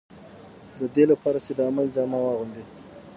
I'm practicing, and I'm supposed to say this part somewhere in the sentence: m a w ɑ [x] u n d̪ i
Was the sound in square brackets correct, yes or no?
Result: no